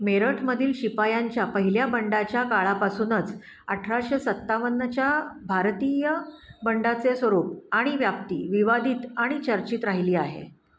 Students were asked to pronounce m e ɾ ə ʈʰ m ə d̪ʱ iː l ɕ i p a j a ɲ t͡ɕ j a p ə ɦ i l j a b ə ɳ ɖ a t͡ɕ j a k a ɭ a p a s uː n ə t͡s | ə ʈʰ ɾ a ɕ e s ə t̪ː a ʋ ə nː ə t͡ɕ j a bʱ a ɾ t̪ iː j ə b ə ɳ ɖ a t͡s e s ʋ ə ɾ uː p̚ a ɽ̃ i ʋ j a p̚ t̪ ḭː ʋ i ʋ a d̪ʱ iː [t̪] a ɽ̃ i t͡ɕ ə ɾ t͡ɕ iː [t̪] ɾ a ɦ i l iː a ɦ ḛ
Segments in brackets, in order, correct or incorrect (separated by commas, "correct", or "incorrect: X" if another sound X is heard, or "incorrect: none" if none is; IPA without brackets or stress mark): correct, correct